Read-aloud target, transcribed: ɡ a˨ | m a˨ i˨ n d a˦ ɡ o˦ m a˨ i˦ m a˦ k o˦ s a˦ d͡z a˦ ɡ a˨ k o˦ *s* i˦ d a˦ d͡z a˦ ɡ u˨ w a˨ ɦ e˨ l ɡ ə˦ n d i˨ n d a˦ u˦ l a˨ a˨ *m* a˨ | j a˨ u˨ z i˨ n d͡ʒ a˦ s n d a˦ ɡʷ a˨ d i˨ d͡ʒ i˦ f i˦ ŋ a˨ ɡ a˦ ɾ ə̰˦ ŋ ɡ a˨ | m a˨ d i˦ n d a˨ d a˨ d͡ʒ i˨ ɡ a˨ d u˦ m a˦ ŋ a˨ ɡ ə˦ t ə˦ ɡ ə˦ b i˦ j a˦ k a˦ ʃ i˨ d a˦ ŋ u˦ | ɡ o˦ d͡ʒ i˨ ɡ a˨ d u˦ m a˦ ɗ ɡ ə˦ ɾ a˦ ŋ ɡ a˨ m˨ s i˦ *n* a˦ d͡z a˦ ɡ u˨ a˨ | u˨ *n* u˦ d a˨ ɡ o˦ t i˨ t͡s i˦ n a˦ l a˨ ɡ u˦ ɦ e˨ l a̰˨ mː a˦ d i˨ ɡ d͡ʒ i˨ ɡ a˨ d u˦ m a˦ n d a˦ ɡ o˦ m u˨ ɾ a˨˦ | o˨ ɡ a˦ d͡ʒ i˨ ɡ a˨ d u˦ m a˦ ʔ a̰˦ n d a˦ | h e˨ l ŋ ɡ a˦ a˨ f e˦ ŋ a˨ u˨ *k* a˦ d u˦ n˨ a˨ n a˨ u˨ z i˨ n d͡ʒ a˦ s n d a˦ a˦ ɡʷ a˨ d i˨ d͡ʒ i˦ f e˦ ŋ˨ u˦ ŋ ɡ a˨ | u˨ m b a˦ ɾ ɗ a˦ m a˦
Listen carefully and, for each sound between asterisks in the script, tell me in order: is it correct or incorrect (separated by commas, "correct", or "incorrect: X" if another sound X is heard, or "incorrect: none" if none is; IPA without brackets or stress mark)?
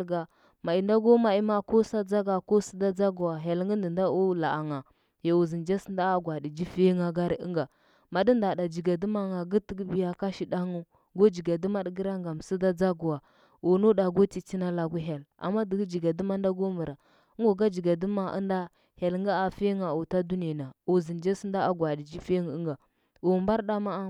correct, incorrect: ŋ, incorrect: d, correct, incorrect: t